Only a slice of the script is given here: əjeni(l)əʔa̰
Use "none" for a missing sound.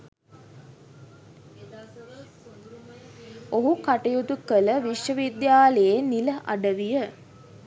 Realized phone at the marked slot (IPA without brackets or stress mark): l